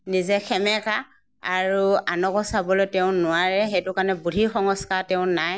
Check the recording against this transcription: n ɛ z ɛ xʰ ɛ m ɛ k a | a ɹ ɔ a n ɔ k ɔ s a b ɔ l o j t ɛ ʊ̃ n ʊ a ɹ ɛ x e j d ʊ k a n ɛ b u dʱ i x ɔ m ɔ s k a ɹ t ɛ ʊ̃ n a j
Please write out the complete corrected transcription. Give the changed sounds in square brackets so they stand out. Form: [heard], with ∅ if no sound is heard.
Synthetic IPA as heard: n [i] z ɛ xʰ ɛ m ɛ k a | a ɹ [u] a n ɔ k ɔ s a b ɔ l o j t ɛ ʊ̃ n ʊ a ɹ ɛ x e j [t] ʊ k a n ɛ b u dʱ i x ɔ [ŋ] ɔ s k a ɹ t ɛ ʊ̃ n a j